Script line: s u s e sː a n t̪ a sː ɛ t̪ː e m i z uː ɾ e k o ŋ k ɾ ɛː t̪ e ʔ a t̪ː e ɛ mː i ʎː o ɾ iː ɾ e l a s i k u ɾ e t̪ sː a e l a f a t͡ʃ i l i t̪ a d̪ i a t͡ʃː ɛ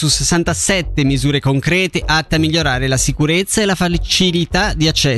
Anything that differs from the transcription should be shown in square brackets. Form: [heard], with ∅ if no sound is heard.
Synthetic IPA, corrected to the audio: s u s e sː a n t̪ a [s] ɛ t̪ː e m i z uː ɾ e k o ŋ k ɾ ɛː t̪ e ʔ a t̪ː e [a] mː i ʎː o ɾ [aː] ɾ e l a s i k u ɾ e t̪ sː a e l a f a t͡ʃ i l i t̪ a d̪ i a t͡ʃː ɛ